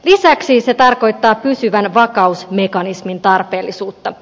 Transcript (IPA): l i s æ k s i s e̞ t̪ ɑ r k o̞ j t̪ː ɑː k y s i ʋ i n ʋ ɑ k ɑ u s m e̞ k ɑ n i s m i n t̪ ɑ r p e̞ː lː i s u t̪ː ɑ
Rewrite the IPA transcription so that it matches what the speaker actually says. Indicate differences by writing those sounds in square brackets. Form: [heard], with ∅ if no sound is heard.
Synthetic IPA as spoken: l i s æ k s i s e̞ t̪ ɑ r k o̞ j t̪ː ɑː [p] y s [y] ʋ [æ] n ʋ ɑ k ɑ u s m e̞ k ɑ n i s m i n t̪ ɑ r p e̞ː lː i s [uː] t̪ː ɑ

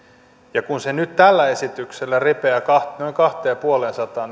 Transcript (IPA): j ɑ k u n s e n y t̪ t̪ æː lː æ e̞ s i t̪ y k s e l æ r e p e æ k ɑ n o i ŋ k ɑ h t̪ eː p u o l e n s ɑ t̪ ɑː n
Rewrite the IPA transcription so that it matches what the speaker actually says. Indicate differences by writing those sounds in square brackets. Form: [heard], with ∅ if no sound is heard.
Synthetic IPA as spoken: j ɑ k u n s e n y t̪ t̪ [æ] lː æ e̞ s i t̪ y k s e [lː] æ r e p e æ k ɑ n o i ŋ k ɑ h t̪ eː p u o l e n s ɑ t̪ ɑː n

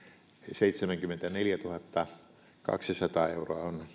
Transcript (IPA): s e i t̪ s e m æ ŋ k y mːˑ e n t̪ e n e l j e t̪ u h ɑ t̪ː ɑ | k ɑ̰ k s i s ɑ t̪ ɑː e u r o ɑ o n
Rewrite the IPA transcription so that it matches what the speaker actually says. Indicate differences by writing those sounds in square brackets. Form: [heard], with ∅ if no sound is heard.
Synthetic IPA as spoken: s e i t̪ s e m æ ŋ k y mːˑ e n t̪ [æ] n e l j [æ] t̪ u h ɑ t̪ː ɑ | k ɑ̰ k s i s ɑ t̪ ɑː e u r o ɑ o n

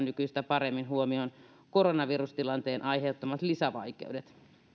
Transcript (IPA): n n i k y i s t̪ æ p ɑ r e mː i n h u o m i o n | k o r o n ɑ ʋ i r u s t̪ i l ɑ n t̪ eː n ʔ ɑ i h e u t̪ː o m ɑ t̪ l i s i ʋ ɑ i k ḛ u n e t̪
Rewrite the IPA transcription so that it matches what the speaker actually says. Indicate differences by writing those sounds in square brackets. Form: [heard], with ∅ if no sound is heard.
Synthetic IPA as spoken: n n [y] k y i s t̪ æ p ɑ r e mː i n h u o m i o n | k o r o n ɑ ʋ i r u s t̪ i l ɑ n t̪ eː n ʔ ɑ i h e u t̪ː o m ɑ t̪ l i s [æ] ʋ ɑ i k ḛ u [d] e t̪

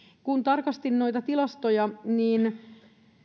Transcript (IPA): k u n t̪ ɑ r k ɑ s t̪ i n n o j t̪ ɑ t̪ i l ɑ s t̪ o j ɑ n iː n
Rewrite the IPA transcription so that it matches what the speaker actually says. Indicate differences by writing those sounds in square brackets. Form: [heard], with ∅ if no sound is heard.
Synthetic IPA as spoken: k u n t̪ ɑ r k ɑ s t̪ i n n o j t̪ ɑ t̪ i l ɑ s t̪ o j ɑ n iː n

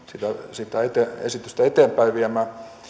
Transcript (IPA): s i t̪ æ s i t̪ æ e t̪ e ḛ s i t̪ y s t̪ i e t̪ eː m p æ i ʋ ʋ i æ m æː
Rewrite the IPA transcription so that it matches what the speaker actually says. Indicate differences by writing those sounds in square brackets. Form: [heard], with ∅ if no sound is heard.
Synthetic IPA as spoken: s i t̪ æ s i t̪ æ e t̪ e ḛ s i t̪ y s t̪ [æ] e t̪ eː m p æ i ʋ ʋ i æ m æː

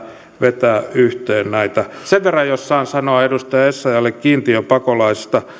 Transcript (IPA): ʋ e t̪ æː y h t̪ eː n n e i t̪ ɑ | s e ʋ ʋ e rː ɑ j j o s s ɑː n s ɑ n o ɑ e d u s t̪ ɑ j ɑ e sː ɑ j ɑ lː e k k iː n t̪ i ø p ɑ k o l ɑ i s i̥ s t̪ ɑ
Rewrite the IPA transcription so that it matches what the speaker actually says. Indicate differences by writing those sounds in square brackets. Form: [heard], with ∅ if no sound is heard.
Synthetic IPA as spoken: ʋ e t̪ æː y h t̪ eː n n [æ] i t̪ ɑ | s e ʋ ʋ e rː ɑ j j o s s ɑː n s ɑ n o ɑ e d u s t̪ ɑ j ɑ e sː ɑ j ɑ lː e k k iː n t̪ i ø p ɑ k o l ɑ i s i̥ s t̪ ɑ

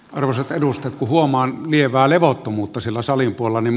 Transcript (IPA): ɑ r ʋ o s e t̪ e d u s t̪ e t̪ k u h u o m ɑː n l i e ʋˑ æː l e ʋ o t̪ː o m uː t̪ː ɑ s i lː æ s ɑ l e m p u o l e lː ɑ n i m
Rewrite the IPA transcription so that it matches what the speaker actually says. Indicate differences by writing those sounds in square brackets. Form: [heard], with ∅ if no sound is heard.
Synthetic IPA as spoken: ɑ r ʋ o s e t̪ e d u s t̪ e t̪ k u h u o m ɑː n l i e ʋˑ æː l e ʋ o t̪ː o m uː t̪ː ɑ s i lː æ s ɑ l [i] m p u o l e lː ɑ n i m

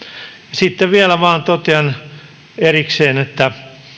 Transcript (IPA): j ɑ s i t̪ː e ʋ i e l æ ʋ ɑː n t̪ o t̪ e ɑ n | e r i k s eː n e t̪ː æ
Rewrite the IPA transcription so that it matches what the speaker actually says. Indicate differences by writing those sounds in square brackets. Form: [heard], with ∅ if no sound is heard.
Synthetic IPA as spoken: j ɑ s i t̪ː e ʋ i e l æ ʋ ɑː n t̪ o t̪ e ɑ n | e r i k s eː n e t̪ː æ

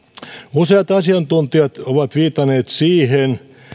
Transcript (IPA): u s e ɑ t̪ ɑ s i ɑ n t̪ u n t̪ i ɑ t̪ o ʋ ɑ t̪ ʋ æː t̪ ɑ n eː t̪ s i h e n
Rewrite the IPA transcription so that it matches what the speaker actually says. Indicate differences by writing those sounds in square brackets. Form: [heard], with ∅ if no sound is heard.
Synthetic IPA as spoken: u s e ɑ t̪ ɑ s i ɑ n t̪ u n t̪ i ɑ t̪ o ʋ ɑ t̪ ʋ [iː] t̪ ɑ n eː t̪ s [iː] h e n

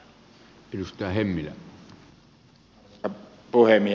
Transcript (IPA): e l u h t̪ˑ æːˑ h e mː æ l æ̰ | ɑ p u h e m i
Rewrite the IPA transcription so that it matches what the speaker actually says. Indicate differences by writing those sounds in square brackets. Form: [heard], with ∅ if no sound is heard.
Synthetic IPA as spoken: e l u [s] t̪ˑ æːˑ h e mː [i] l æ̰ | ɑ p u h e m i

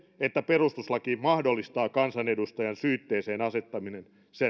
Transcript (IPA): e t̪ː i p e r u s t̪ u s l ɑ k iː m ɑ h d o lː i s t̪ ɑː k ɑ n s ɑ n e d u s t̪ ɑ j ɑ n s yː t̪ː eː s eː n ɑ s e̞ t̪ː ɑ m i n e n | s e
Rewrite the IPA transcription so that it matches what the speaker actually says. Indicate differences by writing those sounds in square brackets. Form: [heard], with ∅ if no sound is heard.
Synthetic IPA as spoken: e t̪ː [æ] p e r u s t̪ u s l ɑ k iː m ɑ h d o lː i s t̪ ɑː k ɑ n s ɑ n e d u s t̪ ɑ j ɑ n s yː t̪ː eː s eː n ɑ s e̞ t̪ː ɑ m i n e n | s e

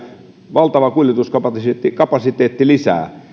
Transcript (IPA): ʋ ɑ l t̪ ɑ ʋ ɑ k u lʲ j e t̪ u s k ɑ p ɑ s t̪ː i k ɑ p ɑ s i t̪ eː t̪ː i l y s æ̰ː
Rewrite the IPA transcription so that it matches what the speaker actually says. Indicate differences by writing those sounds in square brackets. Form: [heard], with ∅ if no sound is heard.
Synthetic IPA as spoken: ʋ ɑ l t̪ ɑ ʋ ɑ k u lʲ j e t̪ u s k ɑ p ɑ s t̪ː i k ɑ p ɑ s i t̪ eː t̪ː i l [i] s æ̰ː

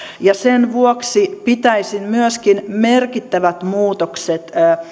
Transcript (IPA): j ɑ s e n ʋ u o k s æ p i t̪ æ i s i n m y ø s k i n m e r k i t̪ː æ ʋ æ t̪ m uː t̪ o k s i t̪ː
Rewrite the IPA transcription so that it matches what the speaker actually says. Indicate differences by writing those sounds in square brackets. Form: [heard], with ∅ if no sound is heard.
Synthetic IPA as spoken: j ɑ s e n ʋ u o k s [i] p i t̪ æ i s i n m y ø s k i n m e r k i t̪ː æ ʋ æ t̪ m uː t̪ o k s [e] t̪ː

